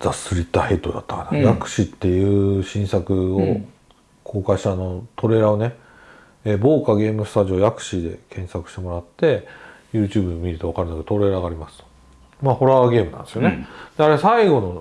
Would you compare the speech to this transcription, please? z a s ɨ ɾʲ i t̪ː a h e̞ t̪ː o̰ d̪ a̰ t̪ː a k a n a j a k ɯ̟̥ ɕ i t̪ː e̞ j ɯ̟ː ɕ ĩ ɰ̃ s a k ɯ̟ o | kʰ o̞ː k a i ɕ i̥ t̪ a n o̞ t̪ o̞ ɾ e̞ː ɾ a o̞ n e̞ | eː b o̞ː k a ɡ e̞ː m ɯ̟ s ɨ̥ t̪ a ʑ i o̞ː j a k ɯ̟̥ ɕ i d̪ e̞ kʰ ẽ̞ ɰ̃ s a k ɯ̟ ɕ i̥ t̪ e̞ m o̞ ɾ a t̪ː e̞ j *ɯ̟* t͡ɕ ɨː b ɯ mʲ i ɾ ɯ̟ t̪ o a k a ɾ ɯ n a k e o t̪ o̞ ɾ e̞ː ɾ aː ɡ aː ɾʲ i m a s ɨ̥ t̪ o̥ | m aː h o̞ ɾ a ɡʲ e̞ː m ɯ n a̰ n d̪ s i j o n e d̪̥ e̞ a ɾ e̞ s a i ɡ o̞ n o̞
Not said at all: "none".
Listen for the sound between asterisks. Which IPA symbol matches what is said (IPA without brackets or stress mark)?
ɯ̟ː